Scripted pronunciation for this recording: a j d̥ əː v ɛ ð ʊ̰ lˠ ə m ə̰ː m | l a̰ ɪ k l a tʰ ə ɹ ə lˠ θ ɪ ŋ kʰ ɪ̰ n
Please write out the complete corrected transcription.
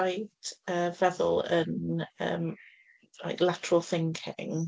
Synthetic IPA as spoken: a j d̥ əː v ɛ ð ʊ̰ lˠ ə n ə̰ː m | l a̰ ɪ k l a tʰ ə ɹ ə lˠ θ ɪ ŋ kʰ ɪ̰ ŋ